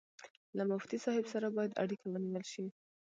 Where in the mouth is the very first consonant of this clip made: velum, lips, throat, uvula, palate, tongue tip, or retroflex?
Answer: tongue tip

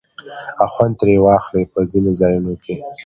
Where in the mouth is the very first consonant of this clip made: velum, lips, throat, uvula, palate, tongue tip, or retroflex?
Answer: velum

